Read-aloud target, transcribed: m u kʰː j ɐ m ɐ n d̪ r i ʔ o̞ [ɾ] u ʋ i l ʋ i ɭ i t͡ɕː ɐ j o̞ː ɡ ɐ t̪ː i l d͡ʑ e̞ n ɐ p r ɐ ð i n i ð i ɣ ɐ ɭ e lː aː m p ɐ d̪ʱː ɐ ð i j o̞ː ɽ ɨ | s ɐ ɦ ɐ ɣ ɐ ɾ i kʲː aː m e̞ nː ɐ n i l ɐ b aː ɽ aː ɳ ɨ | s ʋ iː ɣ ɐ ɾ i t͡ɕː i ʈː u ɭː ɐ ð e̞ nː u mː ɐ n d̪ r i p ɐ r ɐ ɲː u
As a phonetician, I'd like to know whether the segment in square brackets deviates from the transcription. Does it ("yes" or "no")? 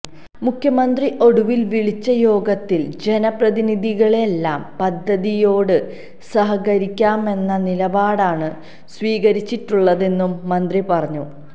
yes